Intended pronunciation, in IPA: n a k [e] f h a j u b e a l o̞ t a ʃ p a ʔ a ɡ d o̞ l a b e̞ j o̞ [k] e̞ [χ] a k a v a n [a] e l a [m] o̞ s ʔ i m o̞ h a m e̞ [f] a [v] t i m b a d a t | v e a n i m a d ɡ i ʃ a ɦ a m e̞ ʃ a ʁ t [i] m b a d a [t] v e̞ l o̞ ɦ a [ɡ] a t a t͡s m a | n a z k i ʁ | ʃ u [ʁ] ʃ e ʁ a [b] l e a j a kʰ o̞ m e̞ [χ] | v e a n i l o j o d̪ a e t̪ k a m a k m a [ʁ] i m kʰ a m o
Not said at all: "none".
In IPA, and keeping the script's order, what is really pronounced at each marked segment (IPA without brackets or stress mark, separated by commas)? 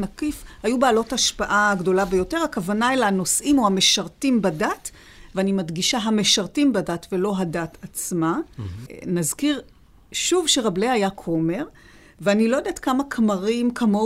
i, t, ʁ, a, n, ʃ, ʁ, i, t, d, v, b, ʁ, ʁ